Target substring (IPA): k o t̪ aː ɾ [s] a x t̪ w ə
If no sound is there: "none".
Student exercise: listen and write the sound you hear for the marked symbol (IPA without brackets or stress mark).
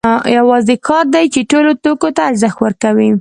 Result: z